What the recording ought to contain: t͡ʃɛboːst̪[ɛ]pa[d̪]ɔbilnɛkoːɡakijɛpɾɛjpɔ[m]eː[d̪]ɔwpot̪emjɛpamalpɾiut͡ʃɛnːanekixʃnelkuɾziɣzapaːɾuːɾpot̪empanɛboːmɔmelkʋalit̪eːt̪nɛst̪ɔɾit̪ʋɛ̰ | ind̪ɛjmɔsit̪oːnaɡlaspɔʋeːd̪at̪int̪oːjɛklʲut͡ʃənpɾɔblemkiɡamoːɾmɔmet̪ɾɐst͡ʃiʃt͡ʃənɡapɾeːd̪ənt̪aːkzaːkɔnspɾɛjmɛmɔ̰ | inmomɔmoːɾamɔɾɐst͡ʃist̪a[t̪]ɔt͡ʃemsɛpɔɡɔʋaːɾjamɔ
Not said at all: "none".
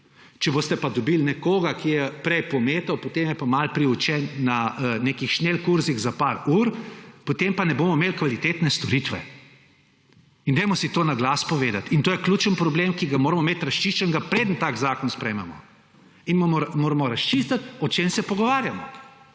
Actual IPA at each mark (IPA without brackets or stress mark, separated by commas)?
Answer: ɛ, d̪, m, t̪, t̪